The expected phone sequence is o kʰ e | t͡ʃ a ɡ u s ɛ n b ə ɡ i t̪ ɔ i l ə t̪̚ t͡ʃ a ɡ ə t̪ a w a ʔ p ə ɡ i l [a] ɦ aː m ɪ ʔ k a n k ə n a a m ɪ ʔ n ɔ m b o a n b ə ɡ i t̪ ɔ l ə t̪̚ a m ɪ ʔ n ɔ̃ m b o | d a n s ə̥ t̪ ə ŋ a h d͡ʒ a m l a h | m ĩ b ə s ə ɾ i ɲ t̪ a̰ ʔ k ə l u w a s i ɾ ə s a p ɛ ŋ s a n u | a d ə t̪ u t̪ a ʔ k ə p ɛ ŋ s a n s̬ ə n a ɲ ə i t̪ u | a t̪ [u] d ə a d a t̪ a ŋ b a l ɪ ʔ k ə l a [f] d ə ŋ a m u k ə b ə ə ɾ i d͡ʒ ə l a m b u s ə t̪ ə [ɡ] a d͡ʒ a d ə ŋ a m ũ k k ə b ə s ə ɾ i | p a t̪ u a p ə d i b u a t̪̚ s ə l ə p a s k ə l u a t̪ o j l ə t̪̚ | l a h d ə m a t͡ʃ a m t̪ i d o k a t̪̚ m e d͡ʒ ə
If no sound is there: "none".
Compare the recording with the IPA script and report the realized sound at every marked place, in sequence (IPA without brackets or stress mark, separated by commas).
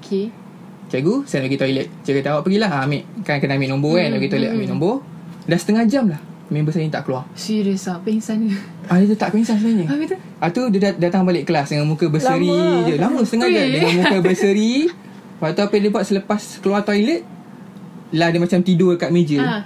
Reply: a, u, s, ŋ